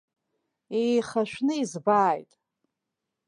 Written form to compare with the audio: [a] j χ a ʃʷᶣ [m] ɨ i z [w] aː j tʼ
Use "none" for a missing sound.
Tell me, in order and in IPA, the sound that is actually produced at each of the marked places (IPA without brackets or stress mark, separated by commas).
e, n, b